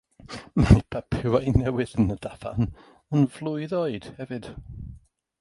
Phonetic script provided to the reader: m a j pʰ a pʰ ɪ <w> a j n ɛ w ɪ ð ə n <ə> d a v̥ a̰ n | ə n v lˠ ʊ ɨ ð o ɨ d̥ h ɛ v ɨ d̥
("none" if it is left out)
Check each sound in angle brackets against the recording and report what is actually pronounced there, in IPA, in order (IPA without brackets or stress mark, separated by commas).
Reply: w, ə